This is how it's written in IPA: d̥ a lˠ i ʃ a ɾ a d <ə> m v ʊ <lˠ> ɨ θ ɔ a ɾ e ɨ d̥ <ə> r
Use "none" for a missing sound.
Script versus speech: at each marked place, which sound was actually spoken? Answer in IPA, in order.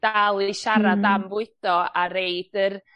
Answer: a, none, ə

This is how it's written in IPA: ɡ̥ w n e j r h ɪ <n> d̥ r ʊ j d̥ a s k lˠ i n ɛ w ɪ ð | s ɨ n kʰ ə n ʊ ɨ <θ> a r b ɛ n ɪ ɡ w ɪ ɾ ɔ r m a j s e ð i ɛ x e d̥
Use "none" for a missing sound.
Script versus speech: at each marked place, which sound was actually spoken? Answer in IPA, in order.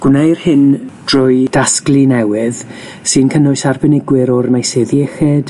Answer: n, s

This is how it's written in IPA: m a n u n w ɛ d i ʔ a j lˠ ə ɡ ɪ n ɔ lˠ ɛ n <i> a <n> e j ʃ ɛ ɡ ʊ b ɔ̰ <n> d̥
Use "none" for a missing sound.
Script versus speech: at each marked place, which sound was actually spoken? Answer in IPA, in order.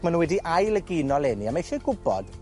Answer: i, m, none

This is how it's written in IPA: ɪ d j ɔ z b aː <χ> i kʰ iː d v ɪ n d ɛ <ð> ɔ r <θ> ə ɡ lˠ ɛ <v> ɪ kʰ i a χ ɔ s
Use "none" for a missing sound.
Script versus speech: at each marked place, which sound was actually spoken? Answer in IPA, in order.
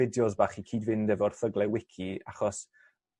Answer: χ, v, θ, w

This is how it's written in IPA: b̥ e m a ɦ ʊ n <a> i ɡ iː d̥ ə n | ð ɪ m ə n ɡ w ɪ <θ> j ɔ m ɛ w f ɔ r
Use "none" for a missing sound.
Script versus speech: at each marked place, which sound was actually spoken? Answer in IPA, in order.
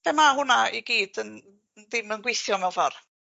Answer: a, θ

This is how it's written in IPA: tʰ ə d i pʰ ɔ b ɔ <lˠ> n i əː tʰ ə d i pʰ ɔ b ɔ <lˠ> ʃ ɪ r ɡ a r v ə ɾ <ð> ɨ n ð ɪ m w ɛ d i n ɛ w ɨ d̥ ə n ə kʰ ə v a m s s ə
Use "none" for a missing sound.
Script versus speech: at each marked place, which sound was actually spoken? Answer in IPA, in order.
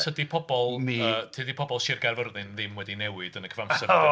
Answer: lˠ, lˠ, ð

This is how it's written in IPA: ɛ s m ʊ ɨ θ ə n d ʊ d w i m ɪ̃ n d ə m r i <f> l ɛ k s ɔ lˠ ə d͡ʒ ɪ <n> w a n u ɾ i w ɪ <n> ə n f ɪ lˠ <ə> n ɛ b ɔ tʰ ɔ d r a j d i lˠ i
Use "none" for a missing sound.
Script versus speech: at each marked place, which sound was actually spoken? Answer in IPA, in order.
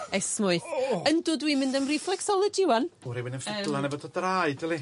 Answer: f, none, n, a

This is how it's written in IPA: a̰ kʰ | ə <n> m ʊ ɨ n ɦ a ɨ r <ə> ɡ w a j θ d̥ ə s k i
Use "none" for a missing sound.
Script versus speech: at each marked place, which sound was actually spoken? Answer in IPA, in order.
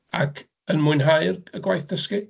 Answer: n, ə

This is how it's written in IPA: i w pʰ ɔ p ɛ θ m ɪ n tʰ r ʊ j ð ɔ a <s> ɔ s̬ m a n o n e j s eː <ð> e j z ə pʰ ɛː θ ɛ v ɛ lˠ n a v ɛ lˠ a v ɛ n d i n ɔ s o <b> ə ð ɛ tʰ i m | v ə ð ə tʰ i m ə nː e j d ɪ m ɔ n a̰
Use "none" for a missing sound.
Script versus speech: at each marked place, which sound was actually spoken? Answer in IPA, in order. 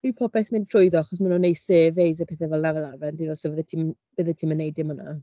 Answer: χ, v, v

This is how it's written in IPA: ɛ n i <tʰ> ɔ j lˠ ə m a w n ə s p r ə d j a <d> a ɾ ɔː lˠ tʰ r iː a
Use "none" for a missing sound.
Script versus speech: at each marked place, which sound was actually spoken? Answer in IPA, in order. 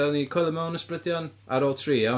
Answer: kʰ, n

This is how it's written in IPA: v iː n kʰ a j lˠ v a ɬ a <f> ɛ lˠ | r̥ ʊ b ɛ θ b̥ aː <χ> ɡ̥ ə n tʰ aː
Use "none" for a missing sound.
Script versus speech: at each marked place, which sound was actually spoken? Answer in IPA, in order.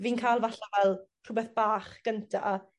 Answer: v, χ

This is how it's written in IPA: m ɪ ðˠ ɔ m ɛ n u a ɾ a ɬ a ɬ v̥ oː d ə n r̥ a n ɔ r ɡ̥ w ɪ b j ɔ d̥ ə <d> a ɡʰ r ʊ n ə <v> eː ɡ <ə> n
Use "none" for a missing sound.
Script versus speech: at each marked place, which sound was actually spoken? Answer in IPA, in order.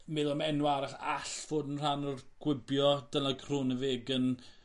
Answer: n, v, ə

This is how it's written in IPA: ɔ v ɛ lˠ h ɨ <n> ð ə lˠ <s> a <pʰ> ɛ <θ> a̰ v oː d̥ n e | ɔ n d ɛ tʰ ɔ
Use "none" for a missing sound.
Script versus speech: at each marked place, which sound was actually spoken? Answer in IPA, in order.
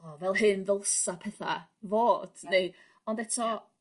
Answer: n, s, pʰ, θ

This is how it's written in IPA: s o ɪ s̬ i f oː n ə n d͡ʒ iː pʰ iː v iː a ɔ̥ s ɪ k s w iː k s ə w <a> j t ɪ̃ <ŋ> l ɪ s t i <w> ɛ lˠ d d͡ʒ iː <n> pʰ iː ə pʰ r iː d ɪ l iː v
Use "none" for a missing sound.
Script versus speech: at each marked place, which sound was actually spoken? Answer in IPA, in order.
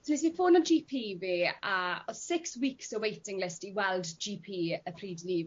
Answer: e, ŋ, w, none

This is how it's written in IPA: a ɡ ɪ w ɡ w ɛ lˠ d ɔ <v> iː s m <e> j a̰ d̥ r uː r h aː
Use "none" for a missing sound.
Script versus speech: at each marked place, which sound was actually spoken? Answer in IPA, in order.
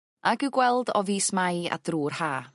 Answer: v, a

